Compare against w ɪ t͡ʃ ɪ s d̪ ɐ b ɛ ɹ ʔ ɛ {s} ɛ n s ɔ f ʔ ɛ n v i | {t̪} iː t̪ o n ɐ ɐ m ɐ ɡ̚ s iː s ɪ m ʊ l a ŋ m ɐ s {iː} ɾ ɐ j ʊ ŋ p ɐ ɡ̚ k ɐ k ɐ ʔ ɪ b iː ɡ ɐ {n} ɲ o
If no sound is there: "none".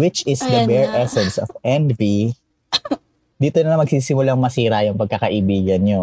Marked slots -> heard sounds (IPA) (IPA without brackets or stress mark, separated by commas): s, d̪, iː, n